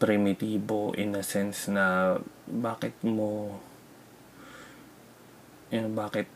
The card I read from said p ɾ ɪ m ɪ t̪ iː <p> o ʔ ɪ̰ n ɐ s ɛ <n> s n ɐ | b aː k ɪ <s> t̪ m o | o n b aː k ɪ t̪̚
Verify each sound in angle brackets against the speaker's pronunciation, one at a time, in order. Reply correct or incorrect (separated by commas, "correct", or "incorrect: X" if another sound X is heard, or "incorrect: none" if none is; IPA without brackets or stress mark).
incorrect: b, correct, incorrect: none